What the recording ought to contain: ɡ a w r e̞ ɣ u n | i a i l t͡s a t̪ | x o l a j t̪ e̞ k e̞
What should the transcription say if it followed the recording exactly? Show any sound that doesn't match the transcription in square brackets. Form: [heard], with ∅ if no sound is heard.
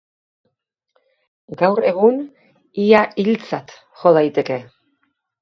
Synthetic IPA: ɡ a w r e̞ ɣ u n | i a i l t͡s a t̪ | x o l a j t̪ e̞ k e̞